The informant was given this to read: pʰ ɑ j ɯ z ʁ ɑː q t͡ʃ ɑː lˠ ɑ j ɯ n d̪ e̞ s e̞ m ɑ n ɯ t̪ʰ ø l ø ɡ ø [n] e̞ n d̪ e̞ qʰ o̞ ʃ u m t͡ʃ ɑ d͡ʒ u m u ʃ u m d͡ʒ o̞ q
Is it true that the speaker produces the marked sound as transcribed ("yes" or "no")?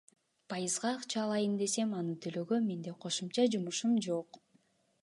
no